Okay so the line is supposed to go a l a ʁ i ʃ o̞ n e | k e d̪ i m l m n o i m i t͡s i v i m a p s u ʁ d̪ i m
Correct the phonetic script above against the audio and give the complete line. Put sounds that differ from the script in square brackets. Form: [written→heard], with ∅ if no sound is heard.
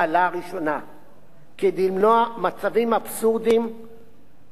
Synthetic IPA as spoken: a l a ʁ i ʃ o̞ n [e→a] | k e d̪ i [m→∅] l m n o [i→a] m [i→a] t͡s [i→a] v i m a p s u ʁ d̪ i m